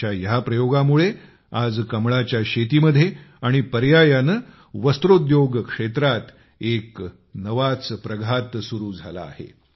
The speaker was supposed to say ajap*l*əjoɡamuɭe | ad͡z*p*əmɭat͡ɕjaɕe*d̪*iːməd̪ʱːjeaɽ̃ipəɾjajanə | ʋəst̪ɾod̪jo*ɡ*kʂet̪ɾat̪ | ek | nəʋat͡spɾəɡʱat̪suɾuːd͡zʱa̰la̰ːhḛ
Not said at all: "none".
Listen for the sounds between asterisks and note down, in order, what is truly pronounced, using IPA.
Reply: ɾ, k, t̪, ɡ

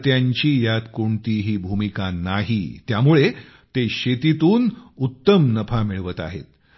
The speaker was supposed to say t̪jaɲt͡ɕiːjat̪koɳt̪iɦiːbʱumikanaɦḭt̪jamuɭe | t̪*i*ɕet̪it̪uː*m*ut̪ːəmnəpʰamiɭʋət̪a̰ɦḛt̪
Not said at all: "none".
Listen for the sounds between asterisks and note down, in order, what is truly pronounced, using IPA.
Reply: e, n

